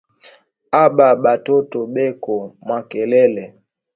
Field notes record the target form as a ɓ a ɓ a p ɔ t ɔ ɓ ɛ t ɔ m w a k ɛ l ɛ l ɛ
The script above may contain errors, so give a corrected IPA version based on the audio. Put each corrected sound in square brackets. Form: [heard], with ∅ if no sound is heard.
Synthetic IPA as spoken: a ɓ a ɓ a [t] ɔ t ɔ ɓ ɛ [k] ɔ m w a k ɛ l ɛ l ɛ